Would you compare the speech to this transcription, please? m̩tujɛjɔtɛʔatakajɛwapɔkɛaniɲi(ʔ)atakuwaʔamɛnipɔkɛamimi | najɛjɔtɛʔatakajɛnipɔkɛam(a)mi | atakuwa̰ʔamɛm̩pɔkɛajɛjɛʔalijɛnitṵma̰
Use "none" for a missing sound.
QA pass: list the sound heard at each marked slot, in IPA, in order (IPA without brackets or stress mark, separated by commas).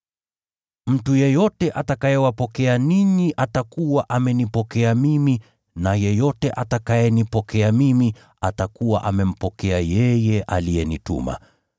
ʔ, i